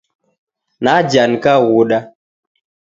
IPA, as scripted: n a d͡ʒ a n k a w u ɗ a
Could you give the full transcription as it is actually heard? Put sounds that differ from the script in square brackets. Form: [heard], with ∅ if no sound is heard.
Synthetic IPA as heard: n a d͡ʒ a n k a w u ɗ a